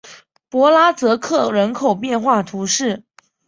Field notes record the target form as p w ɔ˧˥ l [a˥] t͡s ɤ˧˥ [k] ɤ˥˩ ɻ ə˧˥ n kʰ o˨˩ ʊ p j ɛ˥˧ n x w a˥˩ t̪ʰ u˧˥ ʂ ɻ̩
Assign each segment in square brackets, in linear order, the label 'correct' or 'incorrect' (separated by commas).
correct, incorrect